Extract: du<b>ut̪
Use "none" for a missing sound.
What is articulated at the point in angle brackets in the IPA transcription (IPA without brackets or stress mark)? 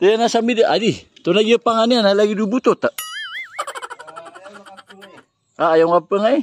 b